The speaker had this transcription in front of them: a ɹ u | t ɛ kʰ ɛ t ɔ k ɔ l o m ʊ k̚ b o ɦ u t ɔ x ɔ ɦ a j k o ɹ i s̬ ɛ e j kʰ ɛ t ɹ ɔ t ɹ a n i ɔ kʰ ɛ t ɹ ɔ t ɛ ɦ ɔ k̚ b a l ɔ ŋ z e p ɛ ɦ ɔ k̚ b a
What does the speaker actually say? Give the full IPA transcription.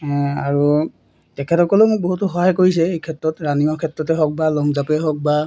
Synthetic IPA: a ɹ u | t ɛ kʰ ɛ t ɔ k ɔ l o m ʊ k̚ b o ɦ u t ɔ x ɔ ɦ a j k o ɹ i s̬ ɛ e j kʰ ɛ t ɹ ɔ t ɹ a n i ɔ kʰ ɛ t ɹ ɔ t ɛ ɦ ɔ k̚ b a l ɔ ŋ z a p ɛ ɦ ɔ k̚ b a